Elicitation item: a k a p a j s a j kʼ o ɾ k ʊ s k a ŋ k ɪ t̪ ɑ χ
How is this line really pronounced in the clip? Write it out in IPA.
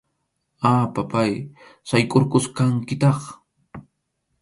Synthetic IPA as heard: a p a p a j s a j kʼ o ɾ k ʊ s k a ŋ k ɪ t̪ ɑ χ

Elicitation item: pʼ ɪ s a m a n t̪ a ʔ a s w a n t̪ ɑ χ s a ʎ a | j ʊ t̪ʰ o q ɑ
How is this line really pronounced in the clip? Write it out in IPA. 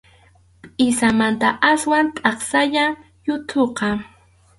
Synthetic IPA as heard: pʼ ɪ s a m a n t̪ a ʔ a s w a n t̪ʼ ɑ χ s a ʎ a | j ʊ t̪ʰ o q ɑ

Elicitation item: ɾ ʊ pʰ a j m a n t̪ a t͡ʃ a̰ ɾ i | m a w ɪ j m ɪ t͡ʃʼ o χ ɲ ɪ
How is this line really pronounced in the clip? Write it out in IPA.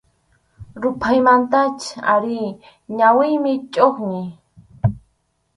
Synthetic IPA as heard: ɾ ʊ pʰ a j m a n t̪ a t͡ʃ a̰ ɾ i | ɲ a w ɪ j m ɪ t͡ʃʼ o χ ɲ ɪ

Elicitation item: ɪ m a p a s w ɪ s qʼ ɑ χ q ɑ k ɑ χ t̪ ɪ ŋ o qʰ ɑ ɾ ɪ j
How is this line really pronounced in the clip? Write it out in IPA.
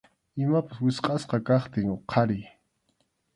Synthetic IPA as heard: ɪ m a p a s w ɪ s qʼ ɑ s q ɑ k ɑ χ t̪ ɪ ŋ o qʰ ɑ ɾ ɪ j

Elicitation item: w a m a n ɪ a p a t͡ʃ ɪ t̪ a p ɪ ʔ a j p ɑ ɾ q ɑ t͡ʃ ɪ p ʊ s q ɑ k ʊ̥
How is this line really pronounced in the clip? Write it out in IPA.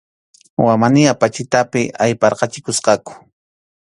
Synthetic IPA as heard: w a m a n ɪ a p a t͡ʃ ɪ t̪ a p ɪ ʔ a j p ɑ ɾ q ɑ t͡ʃ ɪ k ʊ s q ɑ k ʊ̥

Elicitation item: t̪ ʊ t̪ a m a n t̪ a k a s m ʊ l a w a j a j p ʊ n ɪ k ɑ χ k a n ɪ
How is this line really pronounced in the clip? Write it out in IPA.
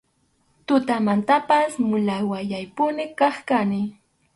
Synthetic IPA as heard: t̪ ʊ t̪ a m a n t̪ a p a s m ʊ l a w a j a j p ʊ n ɪ k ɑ χ k a n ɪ

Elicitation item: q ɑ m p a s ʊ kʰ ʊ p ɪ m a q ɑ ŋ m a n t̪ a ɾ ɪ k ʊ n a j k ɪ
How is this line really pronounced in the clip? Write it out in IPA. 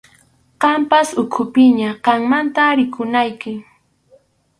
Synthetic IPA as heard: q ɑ m p a s ʊ kʰ ʊ p ɪ ɲ a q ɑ ŋ m a n t̪ a ɾ ɪ k ʊ n a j k ɪ

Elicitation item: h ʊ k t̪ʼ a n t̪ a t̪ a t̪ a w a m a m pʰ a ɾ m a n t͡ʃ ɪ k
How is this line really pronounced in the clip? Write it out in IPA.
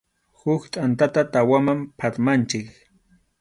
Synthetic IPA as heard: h ʊ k t̪ʼ a n t̪ a t̪ a t̪ a w a m a m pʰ a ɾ m a n t͡ʃ ɪ k

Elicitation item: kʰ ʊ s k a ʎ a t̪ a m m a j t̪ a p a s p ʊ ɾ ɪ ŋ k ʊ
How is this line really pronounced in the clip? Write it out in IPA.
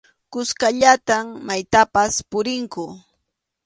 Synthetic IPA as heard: k ʊ s k a ʎ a t̪ a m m a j t̪ a p a s p ʊ ɾ ɪ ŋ k ʊ

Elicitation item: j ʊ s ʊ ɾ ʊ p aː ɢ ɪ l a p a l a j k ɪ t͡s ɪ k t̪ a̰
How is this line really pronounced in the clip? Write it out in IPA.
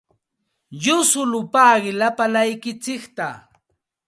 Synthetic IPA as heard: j ʊ s ʊ l ʊ p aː ɢ ɪ l a p a l a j k ɪ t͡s ɪ k t̪ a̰

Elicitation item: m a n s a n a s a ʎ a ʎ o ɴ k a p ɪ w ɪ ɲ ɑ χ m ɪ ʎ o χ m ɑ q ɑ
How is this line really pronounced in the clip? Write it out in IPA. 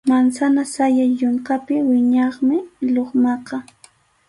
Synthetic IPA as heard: m a n s a n a s a j a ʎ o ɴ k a p ɪ w ɪ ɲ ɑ χ m ɪ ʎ o χ m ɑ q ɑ

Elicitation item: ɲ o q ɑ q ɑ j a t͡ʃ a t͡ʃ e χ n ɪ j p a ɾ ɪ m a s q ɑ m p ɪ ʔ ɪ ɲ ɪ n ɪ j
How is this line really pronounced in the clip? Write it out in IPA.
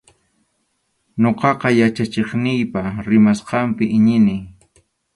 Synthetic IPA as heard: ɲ o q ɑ q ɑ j a t͡ʃ a t͡ʃ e χ n ɪ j p a ɾ ɪ m a s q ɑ m p ɪ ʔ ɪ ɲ ɪ n ɪ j

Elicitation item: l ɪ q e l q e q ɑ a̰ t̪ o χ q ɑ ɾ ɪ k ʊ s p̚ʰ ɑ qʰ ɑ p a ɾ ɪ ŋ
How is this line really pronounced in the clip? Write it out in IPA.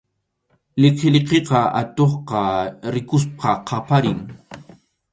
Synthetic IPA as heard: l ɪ q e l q e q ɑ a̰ t̪ o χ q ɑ ɾ ɪ k ʊ s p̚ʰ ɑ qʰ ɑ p a ɾ ɪ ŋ

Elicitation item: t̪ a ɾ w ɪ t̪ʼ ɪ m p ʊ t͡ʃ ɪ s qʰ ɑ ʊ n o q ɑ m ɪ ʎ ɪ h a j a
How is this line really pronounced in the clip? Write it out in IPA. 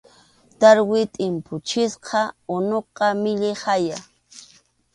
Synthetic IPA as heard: t̪ a ɾ w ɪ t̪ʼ ɪ m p ʊ t͡ʃ ɪ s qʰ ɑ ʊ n o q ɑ m ɪ ʎ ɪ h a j a

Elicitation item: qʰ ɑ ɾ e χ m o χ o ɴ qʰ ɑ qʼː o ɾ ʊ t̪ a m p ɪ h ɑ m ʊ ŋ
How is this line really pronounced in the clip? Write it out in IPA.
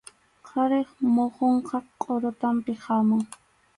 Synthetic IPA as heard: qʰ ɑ ɾ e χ m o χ o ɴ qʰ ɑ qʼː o ɾ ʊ t̪ a m p ɪ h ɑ m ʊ ŋ

